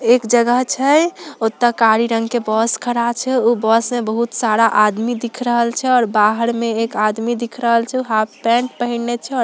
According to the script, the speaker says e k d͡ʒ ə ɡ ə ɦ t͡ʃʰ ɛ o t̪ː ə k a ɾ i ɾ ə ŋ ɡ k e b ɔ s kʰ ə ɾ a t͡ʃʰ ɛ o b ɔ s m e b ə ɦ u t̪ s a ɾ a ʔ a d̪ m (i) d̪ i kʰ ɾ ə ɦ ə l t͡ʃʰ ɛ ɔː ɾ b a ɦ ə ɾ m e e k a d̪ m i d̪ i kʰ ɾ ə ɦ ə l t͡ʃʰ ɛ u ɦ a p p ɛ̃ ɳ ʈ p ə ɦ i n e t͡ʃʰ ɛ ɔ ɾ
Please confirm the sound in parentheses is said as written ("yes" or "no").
yes